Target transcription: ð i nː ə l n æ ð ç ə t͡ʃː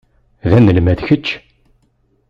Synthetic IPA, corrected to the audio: ð æ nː ə l m æ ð ç ə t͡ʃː